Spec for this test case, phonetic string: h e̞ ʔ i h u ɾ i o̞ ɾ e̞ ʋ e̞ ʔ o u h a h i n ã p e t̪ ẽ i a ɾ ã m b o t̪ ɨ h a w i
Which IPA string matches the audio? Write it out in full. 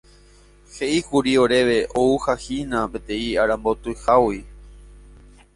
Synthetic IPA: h e̞ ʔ i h u ɾ i o̞ ɾ e̞ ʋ e̞ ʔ o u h a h i n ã p e t̪ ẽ i a ɾ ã m b o t̪ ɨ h a w i